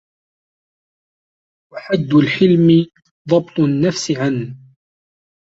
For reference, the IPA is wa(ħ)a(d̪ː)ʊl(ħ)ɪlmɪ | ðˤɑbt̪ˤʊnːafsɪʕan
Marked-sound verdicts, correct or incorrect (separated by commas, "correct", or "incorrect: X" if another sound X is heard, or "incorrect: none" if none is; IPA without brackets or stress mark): correct, correct, correct